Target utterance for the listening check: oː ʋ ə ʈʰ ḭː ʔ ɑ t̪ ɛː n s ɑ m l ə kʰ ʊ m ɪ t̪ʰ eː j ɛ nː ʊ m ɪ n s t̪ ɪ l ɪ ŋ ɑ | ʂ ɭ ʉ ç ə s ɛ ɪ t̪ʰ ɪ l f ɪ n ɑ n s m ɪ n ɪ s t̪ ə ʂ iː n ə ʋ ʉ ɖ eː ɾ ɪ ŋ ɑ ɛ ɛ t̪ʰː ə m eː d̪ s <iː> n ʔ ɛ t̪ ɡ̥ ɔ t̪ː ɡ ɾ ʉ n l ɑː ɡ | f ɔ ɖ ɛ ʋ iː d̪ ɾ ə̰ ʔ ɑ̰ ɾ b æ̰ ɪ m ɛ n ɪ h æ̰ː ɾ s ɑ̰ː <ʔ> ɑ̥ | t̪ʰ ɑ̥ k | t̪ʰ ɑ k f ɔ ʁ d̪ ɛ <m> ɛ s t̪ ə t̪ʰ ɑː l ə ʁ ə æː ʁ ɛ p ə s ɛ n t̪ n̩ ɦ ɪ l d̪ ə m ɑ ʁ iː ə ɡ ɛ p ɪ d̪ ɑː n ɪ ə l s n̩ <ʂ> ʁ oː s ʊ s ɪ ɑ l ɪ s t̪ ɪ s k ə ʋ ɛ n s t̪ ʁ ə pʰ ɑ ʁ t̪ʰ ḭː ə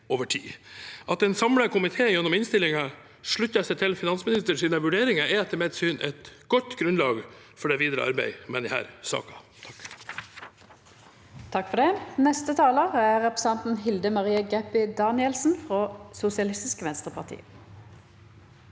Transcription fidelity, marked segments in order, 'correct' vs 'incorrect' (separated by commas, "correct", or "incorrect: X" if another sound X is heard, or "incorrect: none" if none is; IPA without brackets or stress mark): incorrect: yː, incorrect: k, incorrect: n, incorrect: f